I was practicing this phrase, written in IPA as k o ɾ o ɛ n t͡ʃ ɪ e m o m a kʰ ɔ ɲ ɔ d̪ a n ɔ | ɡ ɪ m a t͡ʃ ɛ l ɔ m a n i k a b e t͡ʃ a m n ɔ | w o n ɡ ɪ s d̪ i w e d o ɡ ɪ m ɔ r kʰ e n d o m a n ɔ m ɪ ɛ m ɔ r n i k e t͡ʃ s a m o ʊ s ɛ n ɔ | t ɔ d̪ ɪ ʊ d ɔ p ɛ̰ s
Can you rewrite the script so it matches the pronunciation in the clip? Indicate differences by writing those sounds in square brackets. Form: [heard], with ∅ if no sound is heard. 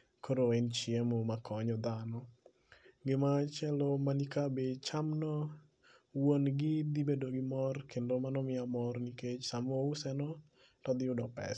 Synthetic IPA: k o ɾ o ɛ n t͡ʃ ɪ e m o m a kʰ ɔ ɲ ɔ d̪ a n ɔ | ɡ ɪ m a t͡ʃ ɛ l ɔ m a n i k a b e t͡ʃ a m n ɔ | w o n ɡ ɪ [∅] d̪ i [b] e d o ɡ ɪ m ɔ r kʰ e n d o m a n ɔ m ɪ [a] m ɔ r n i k e t͡ʃ s a m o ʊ s ɛ n ɔ | t ɔ d̪ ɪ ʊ d ɔ p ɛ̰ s